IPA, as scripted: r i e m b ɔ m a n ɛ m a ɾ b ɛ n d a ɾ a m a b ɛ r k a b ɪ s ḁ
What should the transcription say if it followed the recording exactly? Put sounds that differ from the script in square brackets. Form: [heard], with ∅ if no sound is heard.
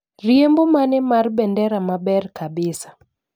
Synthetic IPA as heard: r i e m b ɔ m a n ɛ m a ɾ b ɛ n d [ɛ] ɾ a m a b ɛ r k a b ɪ s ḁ